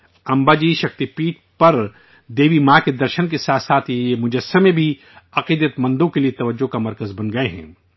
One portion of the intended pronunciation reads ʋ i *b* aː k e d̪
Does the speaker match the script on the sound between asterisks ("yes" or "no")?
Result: no